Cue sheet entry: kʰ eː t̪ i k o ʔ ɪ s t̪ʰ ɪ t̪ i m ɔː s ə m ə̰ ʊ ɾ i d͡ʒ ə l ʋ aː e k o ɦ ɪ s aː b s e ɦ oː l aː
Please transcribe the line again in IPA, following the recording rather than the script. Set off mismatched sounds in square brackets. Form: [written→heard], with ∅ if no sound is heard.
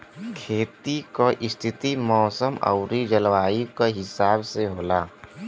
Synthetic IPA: kʰ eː t̪ i k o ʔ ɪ s t̪ʰ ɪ t̪ i m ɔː s ə m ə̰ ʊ ɾ i d͡ʒ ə l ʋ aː [e→i] k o ɦ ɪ s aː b s e ɦ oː l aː